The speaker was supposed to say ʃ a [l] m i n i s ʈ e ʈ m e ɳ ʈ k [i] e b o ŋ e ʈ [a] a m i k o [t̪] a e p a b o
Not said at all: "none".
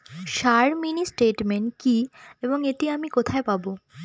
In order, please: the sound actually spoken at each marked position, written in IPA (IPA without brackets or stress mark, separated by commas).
ɾ, i, i, t̪ʰ